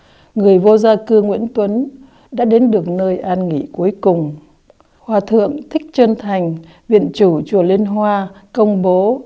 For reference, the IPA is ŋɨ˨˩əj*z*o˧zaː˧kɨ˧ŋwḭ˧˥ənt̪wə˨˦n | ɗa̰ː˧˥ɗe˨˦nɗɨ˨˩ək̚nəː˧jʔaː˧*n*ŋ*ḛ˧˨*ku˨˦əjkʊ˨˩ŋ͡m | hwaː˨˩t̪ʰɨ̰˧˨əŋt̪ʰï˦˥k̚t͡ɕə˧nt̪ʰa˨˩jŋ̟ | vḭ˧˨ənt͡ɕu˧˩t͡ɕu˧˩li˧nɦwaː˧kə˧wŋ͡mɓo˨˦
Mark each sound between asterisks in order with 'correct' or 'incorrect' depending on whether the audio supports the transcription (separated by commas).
incorrect, correct, incorrect